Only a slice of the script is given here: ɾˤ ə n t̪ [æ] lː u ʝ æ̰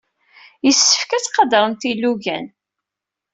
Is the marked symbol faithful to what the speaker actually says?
no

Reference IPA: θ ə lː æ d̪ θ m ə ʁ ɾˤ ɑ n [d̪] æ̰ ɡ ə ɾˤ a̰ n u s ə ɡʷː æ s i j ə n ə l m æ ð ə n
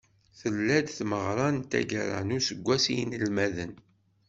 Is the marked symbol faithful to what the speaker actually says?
no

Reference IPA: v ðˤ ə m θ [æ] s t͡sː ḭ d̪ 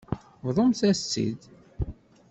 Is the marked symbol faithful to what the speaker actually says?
yes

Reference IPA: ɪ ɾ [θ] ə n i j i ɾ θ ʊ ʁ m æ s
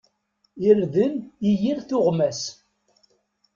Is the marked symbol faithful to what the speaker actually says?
no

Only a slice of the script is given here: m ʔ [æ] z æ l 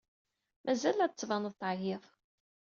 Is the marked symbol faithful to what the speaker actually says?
yes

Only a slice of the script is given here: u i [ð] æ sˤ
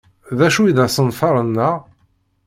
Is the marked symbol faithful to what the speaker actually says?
yes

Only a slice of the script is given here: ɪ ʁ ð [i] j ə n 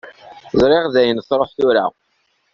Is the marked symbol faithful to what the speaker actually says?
no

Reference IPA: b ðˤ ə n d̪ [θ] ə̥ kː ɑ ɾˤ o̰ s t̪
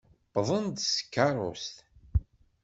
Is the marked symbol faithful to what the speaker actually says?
no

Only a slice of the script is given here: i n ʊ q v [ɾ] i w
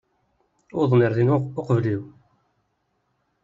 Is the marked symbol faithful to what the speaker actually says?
no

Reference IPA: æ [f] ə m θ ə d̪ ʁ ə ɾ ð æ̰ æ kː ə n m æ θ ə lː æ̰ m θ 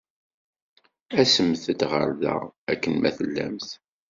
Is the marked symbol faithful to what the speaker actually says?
no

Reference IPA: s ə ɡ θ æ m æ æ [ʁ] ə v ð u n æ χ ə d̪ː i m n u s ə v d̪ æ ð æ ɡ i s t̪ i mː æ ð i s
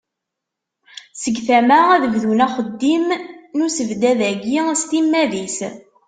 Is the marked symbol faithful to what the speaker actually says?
no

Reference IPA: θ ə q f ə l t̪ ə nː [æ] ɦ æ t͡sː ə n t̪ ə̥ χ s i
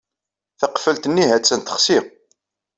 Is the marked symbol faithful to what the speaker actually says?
no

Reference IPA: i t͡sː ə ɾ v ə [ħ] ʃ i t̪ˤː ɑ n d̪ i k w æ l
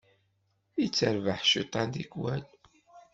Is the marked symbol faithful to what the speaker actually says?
yes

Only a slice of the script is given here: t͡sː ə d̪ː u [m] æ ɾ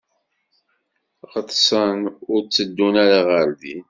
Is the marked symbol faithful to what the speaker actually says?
no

